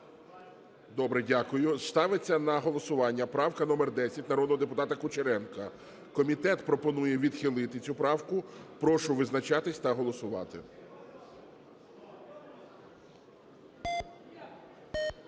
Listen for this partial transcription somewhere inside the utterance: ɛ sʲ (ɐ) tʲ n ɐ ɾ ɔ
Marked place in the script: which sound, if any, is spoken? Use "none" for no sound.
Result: ɐ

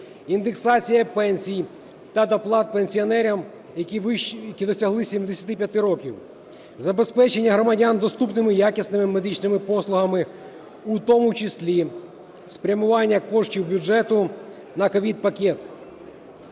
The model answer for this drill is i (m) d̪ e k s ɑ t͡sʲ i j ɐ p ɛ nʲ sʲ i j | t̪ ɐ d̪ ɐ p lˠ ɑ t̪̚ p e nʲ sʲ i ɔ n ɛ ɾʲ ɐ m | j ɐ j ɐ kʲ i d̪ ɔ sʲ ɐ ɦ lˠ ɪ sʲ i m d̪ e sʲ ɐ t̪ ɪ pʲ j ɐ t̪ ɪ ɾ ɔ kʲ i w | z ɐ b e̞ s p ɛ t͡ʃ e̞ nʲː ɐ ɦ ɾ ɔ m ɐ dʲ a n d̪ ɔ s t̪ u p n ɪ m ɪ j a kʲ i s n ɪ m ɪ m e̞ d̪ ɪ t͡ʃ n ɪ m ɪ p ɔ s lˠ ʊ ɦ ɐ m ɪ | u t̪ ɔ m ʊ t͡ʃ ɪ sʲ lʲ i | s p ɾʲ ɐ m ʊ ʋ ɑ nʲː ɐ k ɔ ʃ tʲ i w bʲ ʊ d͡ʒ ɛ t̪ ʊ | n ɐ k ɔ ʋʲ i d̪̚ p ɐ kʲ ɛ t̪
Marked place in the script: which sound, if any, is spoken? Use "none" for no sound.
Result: n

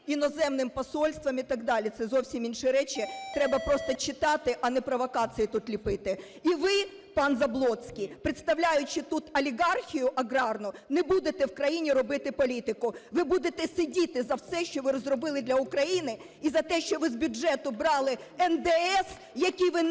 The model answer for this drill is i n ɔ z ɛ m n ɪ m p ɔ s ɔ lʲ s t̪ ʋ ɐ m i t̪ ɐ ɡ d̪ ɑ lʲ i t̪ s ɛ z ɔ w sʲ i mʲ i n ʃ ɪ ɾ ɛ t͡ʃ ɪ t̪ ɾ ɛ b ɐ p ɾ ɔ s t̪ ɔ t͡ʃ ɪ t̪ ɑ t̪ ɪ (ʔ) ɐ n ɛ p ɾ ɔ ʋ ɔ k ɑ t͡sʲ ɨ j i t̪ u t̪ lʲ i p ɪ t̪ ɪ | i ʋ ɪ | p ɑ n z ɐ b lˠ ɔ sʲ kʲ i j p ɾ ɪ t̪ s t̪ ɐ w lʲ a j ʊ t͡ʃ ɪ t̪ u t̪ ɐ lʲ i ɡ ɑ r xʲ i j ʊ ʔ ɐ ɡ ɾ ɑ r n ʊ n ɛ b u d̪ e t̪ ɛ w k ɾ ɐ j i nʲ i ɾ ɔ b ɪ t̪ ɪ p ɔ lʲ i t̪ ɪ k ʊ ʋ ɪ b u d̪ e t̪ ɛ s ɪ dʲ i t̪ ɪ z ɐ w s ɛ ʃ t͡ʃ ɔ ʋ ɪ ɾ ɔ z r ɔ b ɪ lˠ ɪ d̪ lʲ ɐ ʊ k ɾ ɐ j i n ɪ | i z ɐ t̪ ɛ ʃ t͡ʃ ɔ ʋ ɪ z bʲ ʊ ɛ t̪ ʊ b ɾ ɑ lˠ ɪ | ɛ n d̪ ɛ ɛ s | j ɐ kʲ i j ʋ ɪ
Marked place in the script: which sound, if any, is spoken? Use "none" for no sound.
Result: ʔ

